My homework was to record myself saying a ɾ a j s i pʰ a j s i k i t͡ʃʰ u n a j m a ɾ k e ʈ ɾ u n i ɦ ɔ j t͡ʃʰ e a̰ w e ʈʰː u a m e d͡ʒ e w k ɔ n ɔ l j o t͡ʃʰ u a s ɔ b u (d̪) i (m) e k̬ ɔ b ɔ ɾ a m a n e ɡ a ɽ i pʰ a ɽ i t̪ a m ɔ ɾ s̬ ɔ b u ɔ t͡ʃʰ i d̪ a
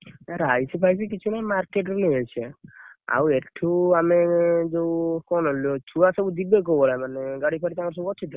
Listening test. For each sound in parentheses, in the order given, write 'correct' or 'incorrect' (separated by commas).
correct, incorrect